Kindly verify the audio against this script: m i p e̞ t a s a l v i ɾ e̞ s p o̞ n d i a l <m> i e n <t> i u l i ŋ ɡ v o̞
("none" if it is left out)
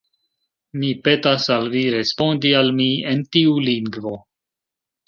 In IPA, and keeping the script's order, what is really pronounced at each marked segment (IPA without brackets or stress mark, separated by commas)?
m, t